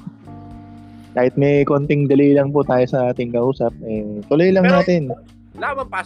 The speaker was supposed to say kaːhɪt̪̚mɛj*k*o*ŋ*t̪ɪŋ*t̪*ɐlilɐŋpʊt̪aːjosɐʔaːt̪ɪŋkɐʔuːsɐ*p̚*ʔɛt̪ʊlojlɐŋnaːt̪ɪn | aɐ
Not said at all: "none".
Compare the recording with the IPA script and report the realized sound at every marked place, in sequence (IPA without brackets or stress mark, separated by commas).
k, n, d̪, p̚